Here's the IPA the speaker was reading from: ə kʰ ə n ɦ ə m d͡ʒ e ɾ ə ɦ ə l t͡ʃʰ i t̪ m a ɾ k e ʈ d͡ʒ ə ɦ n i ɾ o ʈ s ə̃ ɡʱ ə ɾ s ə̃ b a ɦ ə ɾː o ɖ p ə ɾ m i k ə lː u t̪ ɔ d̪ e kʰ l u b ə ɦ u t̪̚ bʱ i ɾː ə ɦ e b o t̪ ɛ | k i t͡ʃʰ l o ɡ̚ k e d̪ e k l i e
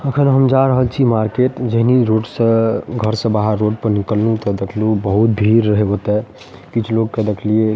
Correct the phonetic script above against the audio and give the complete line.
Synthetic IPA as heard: ə kʰ ə n ɦ ə m d͡ʒ a ɾ ə ɦ ə l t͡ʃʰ i m a ɾ k e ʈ d͡ʒ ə ɦ n i ɾ o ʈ s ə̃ ɡʱ ə ɾ s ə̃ b a ɦ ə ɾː o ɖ p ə ɾ n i k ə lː u t̪ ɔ d̪ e kʰ l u b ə ɦ u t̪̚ bʱ i ɾː ə ɦ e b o t̪ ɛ | k i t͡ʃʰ l o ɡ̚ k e d̪ e kʰ l i e